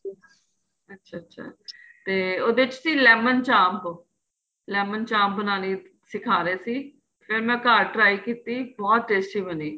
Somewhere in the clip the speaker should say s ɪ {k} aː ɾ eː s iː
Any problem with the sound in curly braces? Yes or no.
yes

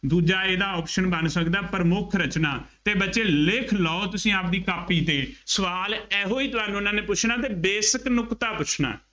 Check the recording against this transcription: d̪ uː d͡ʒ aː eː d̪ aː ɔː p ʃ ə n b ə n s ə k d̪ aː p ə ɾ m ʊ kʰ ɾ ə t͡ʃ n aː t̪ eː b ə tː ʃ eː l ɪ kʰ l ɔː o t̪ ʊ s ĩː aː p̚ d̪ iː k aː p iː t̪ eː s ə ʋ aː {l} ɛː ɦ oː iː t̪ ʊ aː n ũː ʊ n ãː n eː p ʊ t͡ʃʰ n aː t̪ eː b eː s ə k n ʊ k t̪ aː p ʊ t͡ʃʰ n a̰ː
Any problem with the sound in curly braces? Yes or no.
no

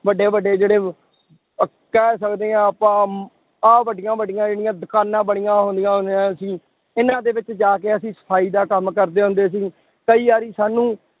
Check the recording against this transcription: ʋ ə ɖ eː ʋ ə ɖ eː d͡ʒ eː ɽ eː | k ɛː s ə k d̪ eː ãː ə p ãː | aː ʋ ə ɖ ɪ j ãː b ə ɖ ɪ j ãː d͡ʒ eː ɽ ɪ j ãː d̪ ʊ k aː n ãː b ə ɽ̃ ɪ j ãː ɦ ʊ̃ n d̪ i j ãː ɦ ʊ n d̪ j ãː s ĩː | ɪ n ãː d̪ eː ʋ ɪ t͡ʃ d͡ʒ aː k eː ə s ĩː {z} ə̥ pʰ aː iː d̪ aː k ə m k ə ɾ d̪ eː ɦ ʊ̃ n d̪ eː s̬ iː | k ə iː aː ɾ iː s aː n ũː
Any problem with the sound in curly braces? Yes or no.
yes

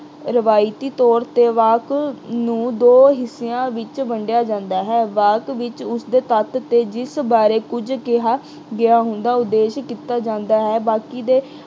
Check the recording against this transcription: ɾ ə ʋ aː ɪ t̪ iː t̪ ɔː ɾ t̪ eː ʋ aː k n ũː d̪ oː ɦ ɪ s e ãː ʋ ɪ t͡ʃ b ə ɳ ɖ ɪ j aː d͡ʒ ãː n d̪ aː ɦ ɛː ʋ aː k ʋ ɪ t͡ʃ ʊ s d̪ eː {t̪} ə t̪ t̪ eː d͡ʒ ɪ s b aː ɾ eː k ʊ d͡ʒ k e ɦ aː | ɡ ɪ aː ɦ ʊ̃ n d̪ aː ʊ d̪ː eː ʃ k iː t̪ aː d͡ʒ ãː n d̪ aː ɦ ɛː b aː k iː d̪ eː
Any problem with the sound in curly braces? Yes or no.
no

